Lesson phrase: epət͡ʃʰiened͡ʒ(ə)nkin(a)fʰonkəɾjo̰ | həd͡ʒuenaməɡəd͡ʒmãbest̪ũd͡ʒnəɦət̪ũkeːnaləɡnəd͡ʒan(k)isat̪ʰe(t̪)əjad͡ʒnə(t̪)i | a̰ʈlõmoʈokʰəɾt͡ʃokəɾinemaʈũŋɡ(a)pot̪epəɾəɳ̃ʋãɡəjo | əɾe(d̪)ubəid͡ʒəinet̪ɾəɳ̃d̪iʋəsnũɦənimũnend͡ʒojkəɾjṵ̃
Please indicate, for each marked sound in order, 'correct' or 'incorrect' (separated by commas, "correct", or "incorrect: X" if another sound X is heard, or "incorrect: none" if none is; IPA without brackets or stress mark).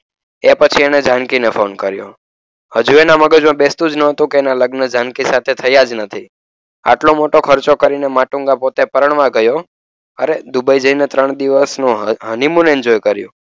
incorrect: a, incorrect: e, correct, incorrect: t̪ʰ, incorrect: t̪ʰ, correct, correct